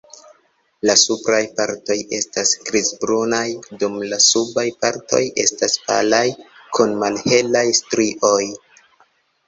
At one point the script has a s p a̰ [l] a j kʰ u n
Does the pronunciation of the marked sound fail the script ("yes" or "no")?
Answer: no